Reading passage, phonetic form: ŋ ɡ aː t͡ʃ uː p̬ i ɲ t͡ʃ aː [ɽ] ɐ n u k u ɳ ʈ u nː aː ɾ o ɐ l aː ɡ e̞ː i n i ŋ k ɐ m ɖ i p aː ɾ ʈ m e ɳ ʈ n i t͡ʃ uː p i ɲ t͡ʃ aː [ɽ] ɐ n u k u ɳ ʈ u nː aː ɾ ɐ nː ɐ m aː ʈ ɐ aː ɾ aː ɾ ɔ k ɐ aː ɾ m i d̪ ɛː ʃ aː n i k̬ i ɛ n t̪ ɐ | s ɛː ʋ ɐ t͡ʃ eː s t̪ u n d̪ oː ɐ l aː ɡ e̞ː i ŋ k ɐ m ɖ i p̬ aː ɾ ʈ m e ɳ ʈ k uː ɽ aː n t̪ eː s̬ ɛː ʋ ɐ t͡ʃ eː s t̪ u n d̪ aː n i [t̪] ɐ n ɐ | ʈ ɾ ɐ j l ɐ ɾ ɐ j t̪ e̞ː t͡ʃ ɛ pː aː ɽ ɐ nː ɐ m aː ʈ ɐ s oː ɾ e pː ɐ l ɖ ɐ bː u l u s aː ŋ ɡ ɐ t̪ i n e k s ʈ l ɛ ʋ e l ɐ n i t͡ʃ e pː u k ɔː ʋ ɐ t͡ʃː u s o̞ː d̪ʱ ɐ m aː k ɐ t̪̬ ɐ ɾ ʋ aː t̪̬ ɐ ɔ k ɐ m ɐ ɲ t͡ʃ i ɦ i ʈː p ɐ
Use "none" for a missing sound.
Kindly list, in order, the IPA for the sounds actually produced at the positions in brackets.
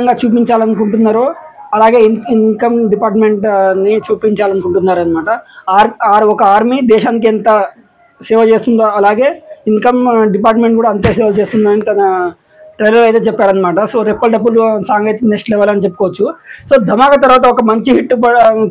l, l, t̪

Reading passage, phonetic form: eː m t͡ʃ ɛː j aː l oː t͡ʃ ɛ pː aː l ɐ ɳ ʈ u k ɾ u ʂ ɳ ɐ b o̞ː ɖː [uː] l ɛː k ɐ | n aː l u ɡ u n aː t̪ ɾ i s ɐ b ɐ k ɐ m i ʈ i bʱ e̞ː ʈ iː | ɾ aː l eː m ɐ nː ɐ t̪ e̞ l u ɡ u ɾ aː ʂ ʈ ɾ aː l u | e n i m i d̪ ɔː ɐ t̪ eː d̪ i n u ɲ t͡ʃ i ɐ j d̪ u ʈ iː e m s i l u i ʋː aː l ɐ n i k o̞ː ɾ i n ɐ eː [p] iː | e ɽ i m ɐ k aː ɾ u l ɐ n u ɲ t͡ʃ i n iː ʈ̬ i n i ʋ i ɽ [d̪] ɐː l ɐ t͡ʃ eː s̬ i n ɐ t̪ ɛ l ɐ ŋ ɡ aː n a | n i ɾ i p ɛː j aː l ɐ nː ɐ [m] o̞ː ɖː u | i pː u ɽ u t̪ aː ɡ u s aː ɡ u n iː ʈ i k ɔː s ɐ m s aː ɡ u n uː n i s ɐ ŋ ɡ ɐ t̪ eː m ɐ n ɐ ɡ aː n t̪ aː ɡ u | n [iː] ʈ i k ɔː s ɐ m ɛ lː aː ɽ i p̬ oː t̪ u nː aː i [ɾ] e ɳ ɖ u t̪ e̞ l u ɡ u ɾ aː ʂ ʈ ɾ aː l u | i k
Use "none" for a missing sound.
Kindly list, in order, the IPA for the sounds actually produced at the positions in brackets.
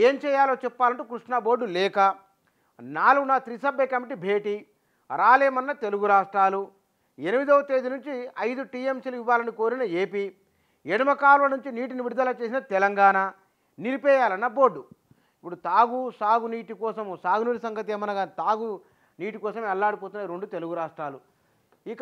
u, p, d̪, b, iː, ɾ

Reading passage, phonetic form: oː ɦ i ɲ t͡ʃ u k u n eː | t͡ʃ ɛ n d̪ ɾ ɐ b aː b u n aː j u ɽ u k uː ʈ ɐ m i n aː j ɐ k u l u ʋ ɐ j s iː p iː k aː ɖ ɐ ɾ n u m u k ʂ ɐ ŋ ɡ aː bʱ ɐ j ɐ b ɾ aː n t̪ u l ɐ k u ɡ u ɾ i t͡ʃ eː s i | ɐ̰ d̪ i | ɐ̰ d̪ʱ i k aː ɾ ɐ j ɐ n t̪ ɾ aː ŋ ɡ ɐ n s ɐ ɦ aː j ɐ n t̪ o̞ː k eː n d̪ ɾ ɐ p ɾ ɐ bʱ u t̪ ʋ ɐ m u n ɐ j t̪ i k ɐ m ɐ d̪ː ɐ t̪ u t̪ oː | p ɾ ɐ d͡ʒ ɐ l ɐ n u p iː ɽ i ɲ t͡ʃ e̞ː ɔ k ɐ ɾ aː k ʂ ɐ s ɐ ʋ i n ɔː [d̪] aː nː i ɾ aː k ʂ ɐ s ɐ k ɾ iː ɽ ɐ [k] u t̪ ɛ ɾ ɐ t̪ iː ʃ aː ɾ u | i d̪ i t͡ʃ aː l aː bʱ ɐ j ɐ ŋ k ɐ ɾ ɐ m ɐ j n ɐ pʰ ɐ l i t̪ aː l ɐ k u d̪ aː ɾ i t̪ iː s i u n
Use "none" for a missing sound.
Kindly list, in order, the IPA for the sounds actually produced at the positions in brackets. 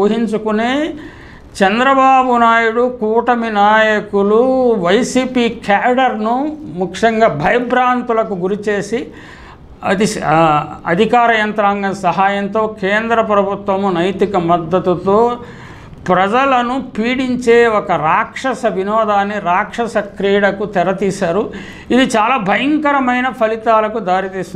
d̪, k

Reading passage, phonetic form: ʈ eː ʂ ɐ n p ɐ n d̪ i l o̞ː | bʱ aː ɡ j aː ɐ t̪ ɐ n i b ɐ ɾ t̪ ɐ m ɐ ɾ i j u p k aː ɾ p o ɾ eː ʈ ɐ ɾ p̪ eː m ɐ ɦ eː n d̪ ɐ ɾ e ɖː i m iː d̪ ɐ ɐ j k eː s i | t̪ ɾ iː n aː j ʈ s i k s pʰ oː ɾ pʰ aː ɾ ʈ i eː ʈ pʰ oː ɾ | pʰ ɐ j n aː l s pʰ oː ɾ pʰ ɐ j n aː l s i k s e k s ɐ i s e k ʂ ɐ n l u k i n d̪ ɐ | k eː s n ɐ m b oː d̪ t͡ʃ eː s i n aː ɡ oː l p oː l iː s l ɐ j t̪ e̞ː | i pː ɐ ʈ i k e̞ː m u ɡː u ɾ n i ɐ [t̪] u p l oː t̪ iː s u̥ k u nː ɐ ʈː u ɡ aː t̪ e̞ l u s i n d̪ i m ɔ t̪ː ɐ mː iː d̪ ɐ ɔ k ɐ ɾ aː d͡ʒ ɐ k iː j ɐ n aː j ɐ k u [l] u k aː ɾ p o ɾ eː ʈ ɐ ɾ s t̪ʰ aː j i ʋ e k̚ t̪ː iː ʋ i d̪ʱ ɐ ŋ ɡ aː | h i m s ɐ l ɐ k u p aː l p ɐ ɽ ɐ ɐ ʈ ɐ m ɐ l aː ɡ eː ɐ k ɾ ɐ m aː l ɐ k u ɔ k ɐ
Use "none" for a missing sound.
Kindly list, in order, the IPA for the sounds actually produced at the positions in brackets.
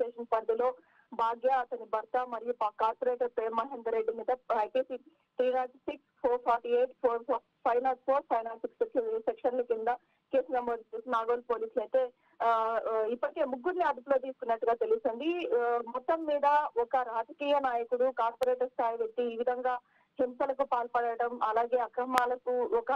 d̪, ɽ

